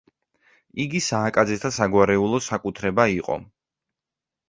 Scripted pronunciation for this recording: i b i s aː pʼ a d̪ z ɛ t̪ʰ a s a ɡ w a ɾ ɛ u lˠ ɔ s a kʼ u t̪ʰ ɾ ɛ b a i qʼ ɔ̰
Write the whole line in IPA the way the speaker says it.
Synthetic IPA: i ɡ i s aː kʼ a d̪ z ɛ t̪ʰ a s a ɡ w a ɾ ɛ u lˠ ɔ s a kʼ u t̪ʰ ɾ ɛ b a i qʼ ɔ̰